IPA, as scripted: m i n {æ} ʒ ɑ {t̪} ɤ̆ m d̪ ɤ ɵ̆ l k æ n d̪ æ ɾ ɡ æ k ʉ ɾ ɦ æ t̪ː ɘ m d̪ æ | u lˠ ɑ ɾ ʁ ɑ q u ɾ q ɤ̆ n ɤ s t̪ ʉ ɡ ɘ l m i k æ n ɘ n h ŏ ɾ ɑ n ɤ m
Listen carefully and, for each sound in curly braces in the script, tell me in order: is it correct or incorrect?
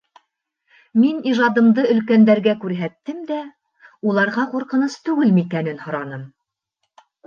incorrect: i, incorrect: d̪

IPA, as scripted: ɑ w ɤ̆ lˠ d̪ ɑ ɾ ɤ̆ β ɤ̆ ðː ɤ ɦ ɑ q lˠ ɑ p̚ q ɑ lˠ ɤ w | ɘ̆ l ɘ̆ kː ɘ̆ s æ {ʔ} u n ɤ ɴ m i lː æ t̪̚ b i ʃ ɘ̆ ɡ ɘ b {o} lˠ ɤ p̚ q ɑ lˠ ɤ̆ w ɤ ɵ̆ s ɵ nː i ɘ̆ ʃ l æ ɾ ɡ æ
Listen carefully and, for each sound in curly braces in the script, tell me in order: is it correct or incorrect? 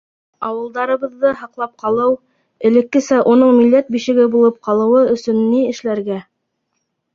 correct, incorrect: u

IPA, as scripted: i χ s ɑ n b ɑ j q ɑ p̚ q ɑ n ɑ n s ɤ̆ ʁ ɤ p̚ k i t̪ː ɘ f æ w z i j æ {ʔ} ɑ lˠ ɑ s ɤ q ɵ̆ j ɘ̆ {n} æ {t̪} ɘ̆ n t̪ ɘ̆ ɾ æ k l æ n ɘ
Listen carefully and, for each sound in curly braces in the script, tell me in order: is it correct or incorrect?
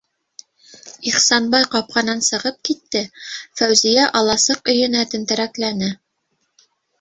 correct, correct, correct

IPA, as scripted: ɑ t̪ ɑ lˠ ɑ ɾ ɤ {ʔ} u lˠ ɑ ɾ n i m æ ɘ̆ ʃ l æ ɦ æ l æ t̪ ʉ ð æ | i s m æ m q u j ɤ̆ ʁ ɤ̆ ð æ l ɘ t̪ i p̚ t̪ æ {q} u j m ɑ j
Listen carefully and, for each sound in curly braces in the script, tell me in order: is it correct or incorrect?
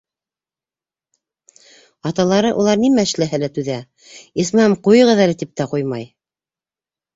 correct, correct

